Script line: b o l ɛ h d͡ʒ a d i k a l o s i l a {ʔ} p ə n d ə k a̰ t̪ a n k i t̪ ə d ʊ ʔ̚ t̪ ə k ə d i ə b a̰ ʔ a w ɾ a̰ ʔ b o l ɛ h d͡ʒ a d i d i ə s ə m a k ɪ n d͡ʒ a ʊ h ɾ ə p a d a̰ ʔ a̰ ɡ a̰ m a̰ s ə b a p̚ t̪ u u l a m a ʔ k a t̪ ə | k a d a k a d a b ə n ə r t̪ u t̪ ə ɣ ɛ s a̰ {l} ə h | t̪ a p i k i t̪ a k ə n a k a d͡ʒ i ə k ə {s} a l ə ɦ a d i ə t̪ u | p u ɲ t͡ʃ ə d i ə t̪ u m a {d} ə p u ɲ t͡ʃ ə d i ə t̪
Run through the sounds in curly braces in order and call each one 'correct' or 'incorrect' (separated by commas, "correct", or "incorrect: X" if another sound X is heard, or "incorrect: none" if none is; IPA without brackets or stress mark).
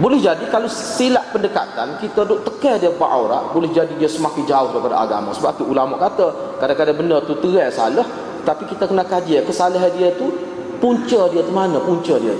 correct, correct, correct, incorrect: n